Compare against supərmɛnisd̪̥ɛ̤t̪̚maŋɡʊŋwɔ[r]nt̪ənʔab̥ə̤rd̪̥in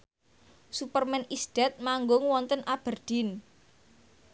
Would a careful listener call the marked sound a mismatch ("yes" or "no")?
yes